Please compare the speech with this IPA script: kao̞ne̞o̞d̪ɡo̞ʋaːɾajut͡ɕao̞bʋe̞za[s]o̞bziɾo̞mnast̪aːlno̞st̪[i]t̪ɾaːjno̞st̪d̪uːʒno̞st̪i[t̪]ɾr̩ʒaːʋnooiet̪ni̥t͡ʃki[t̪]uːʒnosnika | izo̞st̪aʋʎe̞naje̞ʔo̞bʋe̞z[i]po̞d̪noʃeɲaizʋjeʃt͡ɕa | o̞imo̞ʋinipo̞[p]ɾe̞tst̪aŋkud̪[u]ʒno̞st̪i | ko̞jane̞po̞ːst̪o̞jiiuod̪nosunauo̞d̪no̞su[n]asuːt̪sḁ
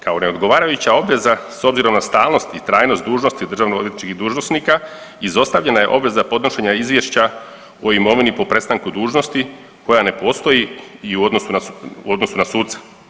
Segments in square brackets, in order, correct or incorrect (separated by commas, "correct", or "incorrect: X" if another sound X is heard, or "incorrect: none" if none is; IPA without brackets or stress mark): correct, correct, incorrect: d̪, incorrect: d̪, incorrect: a, correct, incorrect: uː, correct